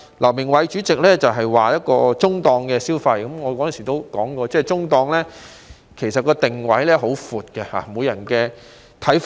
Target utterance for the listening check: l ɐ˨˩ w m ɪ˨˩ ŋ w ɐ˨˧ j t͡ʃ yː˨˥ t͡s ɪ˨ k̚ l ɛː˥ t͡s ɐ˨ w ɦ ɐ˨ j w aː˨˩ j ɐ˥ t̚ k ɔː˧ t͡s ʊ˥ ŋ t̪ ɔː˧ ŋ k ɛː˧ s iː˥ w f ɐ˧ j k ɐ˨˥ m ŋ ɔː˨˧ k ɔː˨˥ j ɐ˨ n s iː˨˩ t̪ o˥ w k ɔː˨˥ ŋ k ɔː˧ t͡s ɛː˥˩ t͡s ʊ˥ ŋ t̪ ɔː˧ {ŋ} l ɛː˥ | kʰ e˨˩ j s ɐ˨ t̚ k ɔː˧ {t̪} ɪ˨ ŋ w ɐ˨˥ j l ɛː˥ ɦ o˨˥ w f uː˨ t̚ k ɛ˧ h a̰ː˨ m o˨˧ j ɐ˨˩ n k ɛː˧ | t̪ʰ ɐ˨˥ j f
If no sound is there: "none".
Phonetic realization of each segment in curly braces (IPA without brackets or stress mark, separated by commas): ŋ, t̪